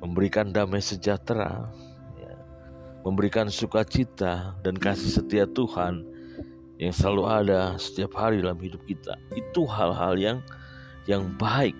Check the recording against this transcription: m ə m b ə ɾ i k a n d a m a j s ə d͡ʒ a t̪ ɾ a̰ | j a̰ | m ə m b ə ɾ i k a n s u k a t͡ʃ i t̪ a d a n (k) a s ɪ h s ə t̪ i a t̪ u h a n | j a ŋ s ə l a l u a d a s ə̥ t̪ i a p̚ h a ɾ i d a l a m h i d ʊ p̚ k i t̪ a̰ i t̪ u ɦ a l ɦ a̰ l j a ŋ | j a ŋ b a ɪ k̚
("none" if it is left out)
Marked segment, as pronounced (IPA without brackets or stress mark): k